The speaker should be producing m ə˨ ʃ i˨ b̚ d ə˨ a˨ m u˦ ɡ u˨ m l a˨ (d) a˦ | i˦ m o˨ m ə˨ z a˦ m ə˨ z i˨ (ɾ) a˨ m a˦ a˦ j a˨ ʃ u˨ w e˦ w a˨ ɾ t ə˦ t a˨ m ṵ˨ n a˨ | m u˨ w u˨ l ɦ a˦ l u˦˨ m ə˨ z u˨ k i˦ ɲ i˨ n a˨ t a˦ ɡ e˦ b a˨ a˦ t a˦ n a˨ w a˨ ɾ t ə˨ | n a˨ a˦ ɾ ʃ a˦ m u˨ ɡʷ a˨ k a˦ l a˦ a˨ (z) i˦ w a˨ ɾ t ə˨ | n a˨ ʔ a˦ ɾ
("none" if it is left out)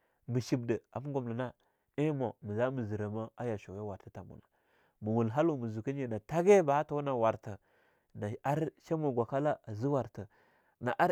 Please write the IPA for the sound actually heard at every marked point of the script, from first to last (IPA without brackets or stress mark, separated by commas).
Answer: n, ɾ, z